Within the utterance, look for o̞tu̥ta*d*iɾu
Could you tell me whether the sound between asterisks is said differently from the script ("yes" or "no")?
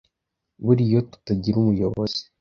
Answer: yes